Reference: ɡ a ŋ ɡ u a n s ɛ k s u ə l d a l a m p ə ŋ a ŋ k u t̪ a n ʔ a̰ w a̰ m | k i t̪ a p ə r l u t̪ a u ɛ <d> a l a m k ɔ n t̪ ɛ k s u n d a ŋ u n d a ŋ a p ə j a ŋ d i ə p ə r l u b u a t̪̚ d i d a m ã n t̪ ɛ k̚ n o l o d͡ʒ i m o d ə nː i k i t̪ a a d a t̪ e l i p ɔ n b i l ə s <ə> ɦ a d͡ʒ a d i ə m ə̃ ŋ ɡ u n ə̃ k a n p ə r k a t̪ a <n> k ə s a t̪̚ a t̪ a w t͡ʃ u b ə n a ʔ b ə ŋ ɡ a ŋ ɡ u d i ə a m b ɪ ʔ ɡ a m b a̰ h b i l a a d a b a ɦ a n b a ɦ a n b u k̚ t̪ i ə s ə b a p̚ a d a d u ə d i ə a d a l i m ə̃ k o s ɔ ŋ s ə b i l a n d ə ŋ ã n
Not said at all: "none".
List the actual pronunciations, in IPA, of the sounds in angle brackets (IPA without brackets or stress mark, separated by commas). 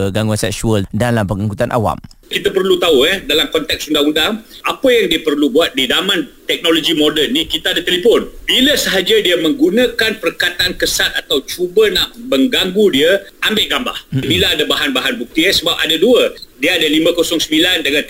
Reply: d, ə, n